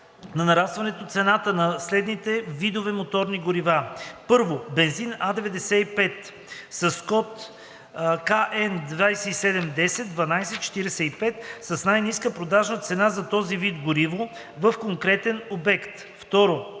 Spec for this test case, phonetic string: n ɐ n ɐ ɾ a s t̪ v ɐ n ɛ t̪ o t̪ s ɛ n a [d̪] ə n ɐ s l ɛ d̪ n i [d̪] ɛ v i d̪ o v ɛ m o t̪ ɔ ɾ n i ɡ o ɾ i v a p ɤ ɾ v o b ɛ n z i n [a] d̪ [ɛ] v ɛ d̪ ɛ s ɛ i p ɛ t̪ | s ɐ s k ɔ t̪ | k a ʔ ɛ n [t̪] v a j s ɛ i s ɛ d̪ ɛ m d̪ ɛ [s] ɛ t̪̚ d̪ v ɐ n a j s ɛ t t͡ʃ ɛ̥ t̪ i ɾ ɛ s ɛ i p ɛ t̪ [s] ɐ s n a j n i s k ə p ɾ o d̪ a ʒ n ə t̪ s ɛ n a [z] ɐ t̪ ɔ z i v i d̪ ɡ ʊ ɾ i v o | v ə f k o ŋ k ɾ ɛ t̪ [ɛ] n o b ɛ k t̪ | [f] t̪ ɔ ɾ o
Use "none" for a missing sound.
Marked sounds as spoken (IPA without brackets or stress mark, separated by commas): t̪, t̪, a, ɛ, d̪, s, s, z, ɛ, f